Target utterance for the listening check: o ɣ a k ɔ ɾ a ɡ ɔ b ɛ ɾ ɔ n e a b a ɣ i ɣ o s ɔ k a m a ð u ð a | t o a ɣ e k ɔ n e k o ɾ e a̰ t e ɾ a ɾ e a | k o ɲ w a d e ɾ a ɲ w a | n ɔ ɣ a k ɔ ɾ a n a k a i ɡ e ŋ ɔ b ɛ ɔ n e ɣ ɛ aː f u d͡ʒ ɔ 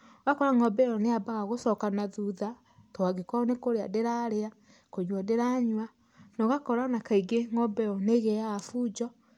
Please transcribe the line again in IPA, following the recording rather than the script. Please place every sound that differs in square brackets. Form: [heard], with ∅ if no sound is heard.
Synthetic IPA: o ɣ a k ɔ ɾ a [ŋ] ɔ b ɛ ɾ ɔ n e a b a ɣ [a] ɣ o s ɔ k a [n] a ð u ð a | t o a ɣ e k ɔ n e k o ɾ e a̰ [d] e ɾ a ɾ e a | k o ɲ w a d e ɾ a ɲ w a | n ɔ ɣ a k ɔ ɾ a n a k a i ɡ e ŋ ɔ b ɛ ɔ n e ɣ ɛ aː f u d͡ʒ ɔ

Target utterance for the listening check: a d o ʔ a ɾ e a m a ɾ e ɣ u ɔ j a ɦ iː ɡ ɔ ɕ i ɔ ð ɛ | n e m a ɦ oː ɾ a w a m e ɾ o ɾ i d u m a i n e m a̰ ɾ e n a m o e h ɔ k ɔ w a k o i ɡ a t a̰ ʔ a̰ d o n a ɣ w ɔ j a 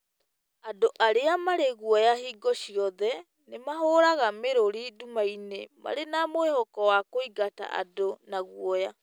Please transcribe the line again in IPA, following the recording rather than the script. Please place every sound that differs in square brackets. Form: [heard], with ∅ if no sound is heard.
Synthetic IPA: a d o ʔ a ɾ e a m a ɾ e ɣ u ɔ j a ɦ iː ɡ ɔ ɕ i ɔ ð ɛ | n e m a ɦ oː ɾ a [ɣ] a m e ɾ o ɾ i d u m a i n e m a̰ ɾ e n a m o e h ɔ k ɔ w a k o i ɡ a t a̰ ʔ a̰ d o n a ɣ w ɔ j a

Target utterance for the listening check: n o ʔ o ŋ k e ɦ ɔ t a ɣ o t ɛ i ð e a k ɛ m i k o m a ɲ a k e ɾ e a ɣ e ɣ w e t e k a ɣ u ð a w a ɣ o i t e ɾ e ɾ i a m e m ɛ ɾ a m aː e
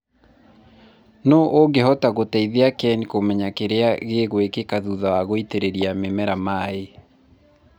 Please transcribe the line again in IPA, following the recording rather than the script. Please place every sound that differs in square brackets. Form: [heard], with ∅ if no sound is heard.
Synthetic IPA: n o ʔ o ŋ [ɡ] e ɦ ɔ t a ɣ o t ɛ i ð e a k ɛ [n] i k o m [ɛ] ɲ a k e ɾ e a ɣ e ɣ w e [k] e k a [ð] u ð a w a ɣ o i t e ɾ e ɾ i a m e m ɛ ɾ a m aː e

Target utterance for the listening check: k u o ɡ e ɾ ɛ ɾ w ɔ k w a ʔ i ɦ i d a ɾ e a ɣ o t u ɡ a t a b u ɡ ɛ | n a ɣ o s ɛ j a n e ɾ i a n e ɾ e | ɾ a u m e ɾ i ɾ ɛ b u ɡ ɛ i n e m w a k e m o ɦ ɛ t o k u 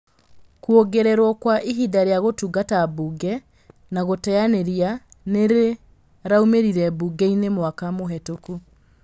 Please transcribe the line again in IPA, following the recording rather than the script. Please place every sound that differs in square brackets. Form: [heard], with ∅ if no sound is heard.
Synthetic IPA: k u o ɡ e ɾ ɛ ɾ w ɔ k w a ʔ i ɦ i d a ɾ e a ɣ o t u ɡ a t a b u ɡ ɛ | n a ɣ o [t] ɛ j a n e ɾ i a n e ɾ e | ɾ a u m e ɾ i ɾ ɛ b u ɡ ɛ i n e m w a k [a] m o ɦ ɛ t o k u

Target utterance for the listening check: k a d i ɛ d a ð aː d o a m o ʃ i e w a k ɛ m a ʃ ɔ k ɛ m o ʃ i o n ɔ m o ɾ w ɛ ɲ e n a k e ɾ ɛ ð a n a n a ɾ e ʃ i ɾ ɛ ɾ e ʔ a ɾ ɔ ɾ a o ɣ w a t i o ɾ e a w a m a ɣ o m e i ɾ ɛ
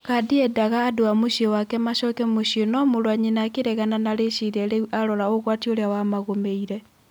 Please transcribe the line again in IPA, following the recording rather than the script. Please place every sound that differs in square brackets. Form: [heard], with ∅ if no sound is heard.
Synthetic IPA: k a d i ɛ d a [ɣ] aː d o a m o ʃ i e w a k ɛ m a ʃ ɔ k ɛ m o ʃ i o n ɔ m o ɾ w [a] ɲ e n a k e ɾ ɛ [ɣ] a n a n a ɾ e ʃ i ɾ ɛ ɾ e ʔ a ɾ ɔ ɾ a o ɣ w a t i o ɾ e a w a m a ɣ o m e i ɾ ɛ

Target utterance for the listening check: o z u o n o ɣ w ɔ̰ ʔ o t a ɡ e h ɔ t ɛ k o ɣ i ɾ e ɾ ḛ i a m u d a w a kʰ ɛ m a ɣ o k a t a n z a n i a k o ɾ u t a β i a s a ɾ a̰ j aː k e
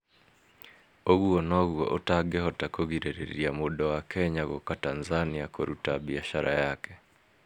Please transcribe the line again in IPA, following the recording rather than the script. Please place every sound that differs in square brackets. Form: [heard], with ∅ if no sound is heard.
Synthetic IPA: o [ɣ] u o n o ɣ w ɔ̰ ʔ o t a ɡ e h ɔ t [a] k o ɣ i ɾ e ɾ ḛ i a m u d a w a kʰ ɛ [ɲ] a ɣ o k a t a n z a n i a k o ɾ u t a β i a [ʃ] a ɾ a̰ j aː k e

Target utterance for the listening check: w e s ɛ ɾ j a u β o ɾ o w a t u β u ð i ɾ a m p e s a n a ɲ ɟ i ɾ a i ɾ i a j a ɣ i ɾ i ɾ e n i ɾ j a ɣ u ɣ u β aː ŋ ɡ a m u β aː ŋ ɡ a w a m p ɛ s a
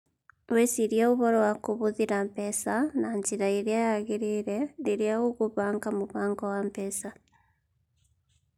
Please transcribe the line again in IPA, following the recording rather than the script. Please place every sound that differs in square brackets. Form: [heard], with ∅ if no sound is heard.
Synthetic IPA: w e s [i] ɾ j a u β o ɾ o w a [k] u β u ð i ɾ a m p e s a n a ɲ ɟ i ɾ a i ɾ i a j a ɣ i ɾ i ɾ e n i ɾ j a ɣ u ɣ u β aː ŋ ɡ a m u β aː ŋ ɡ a w a m p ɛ s a

